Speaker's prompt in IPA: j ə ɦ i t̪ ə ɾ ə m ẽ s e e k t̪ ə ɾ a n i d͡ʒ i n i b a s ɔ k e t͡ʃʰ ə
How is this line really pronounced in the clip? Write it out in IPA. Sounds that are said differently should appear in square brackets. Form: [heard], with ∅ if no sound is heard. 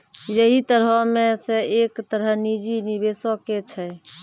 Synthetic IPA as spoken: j ə ɦ i t̪ ə ɾ ə m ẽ s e e k t̪ ə ɾ [ə] n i d͡ʒ i n i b [e] s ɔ k e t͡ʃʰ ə